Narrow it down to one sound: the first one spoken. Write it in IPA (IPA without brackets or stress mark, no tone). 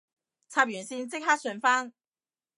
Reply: t͡sʰ